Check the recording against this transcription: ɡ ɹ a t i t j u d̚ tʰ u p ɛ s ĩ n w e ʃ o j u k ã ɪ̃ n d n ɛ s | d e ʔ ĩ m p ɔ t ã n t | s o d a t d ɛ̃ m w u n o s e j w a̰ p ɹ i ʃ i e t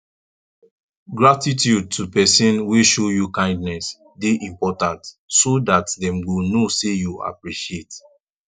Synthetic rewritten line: ɡ ɹ a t i t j u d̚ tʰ u p ɛ s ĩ n w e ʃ o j u k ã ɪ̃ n d n ɛ s | d e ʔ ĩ m p ɔ t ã n t | s o d a t d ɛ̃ m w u n o s e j u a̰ p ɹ i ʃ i e t